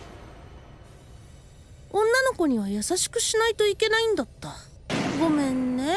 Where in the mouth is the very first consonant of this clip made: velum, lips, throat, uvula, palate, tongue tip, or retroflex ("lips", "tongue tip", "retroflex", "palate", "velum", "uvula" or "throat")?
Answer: tongue tip